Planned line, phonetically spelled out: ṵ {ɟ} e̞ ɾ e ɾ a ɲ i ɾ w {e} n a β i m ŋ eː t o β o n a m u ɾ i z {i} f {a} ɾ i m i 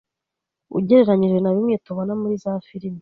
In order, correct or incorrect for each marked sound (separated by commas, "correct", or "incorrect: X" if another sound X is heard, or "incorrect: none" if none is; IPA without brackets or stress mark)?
correct, correct, incorrect: a, incorrect: i